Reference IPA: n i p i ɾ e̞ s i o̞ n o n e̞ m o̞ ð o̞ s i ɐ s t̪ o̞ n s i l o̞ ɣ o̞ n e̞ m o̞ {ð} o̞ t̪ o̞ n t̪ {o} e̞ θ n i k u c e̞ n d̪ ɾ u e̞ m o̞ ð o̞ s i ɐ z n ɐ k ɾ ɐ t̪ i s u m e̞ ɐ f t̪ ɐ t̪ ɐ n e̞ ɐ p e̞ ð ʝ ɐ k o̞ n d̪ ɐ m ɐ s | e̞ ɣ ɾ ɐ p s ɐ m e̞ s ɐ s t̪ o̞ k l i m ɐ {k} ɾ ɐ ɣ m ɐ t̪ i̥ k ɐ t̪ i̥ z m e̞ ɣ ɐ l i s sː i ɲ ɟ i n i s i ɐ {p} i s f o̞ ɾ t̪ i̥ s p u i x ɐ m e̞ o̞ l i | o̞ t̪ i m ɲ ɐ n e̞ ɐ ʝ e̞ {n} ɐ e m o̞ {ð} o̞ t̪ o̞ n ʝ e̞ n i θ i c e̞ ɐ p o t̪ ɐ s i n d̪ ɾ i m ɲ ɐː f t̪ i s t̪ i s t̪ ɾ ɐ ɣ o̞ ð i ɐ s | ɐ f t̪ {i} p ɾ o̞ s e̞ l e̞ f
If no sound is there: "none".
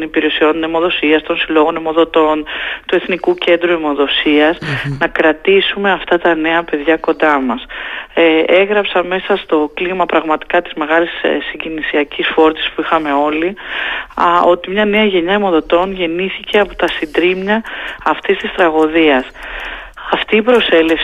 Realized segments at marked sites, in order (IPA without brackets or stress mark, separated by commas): ð, u, p, c, ɲ, ð, iː